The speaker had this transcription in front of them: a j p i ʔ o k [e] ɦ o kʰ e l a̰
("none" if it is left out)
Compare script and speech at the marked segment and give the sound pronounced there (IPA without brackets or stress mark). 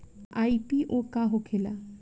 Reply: a